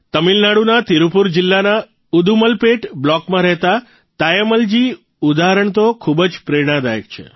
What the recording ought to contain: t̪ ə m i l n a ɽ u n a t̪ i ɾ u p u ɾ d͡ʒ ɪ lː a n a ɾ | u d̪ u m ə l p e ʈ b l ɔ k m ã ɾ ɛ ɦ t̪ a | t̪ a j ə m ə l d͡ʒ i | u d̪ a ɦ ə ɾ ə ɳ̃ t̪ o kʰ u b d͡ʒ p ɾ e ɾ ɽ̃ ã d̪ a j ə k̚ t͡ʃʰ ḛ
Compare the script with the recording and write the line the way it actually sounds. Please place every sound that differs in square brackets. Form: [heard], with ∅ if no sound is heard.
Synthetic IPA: t̪ ə m i l n a ɽ u n a t̪ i ɾ u p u ɾ d͡ʒ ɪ lː a n a [∅] | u d̪ u m ə l p e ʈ b l ɔ k m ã ɾ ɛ ɦ t̪ a | t̪ a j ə m ə l d͡ʒ i | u d̪ a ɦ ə ɾ ə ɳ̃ t̪ o kʰ u b d͡ʒ p ɾ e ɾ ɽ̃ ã d̪ a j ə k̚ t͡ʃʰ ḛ